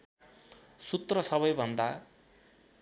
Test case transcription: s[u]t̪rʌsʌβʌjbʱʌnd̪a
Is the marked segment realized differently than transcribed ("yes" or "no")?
no